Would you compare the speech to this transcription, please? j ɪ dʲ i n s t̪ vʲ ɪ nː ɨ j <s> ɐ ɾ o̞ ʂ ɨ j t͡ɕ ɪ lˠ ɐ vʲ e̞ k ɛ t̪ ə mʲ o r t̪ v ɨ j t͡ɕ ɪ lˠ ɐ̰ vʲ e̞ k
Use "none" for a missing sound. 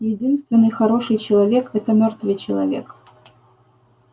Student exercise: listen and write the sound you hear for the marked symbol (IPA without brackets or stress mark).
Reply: x